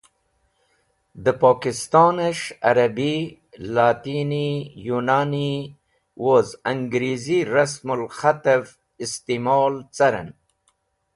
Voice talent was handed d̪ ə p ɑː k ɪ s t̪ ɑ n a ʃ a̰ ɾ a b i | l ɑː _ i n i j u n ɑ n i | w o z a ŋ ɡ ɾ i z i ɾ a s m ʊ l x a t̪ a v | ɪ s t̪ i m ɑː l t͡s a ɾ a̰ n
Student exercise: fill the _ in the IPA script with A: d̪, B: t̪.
B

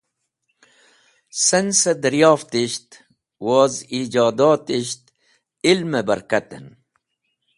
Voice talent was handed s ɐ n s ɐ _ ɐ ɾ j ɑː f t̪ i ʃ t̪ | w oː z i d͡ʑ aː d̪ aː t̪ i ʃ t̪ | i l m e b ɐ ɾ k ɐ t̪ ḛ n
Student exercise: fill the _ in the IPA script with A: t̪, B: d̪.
B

